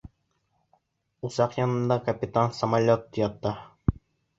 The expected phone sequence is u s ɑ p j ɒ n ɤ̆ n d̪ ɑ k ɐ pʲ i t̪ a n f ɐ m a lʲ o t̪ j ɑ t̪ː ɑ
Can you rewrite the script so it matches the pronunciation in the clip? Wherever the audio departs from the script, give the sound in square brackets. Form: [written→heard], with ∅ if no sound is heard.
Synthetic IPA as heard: u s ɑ [p→q] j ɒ n ɤ̆ n d̪ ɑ k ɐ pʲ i t̪ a n [f→s] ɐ m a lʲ o t̪ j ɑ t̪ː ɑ